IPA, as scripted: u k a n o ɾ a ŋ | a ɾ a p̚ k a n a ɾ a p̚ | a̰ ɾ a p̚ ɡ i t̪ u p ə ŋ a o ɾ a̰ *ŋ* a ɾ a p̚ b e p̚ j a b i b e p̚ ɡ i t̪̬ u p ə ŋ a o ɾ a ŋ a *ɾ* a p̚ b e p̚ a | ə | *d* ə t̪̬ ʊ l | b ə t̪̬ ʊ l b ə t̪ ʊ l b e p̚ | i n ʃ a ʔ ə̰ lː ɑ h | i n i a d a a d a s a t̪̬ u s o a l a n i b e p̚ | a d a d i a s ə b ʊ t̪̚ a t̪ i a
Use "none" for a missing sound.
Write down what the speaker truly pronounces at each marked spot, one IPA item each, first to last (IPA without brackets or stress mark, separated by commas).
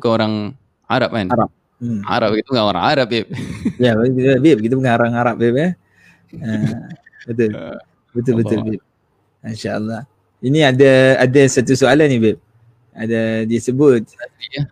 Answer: ŋ, ɾ, b